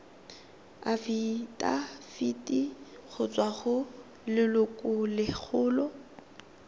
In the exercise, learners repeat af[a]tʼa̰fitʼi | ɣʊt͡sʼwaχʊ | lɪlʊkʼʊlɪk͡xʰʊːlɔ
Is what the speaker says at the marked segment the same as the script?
no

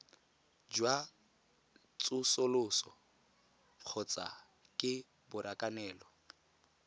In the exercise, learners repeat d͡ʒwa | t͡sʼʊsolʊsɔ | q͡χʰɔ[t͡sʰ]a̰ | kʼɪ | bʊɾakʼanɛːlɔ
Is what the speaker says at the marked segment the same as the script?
no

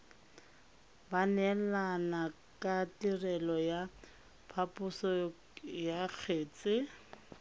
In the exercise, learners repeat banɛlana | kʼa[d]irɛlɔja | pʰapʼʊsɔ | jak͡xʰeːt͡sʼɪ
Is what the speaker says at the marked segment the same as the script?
no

